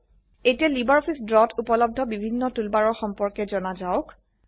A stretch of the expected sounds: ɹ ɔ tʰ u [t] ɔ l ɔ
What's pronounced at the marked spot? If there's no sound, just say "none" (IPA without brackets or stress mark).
p